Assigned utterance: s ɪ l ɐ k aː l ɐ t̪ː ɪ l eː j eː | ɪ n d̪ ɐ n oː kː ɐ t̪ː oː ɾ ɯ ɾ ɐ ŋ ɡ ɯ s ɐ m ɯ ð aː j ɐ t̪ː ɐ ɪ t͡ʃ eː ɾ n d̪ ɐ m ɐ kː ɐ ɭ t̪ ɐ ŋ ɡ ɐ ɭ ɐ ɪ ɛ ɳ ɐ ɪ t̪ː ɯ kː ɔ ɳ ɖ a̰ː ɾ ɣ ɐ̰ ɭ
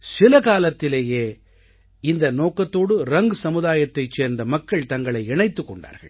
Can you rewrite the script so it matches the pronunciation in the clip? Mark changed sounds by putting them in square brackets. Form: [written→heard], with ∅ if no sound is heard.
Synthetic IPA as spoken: s ɪ l ɐ k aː l ɐ t̪ː ɪ l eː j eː | ɪ n d̪ ɐ n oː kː ɐ t̪ː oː [ɾ→ɽ] ɯ ɾ ɐ ŋ ɡ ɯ s ɐ m ɯ ð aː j ɐ t̪ː ɐ ɪ t͡ʃ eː ɾ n d̪ ɐ m ɐ kː ɐ ɭ t̪ ɐ ŋ ɡ ɐ ɭ ɐ ɪ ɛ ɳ ɐ ɪ t̪ː ɯ kː ɔ ɳ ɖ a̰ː ɾ ɣ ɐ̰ ɭ

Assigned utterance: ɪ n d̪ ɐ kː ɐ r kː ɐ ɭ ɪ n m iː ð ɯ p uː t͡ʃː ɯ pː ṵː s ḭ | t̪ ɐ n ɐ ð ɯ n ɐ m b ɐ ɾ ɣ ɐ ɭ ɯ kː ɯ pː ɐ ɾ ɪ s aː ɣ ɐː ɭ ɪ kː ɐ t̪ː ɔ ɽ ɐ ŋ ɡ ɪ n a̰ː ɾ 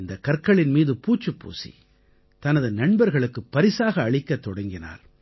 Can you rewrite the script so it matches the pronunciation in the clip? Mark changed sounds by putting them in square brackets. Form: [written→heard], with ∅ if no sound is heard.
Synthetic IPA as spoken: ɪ n d̪ ɐ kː ɐ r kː ɐ ɭ ɪ n m iː ð ɯ p uː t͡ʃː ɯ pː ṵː s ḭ | t̪ ɐ n ɐ ð ɯ n ɐ [m→ɳ] b ɐ ɾ ɣ ɐ ɭ ɯ kː ɯ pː ɐ ɾ ɪ s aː ɣ ɐː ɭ ɪ kː ɐ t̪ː ɔ ɽ ɐ ŋ ɡ ɪ n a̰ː ɾ

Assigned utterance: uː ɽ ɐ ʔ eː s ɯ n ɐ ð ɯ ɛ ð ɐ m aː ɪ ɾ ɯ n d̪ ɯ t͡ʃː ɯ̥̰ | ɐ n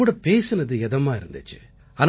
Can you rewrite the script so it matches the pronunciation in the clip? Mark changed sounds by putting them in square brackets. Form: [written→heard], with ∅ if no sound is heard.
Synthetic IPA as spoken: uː ɽ ɐ [ʔ→p] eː s ɯ n ɐ ð ɯ ɛ ð ɐ m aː ɪ ɾ ɯ n d̪ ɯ t͡ʃː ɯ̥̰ | ɐ n

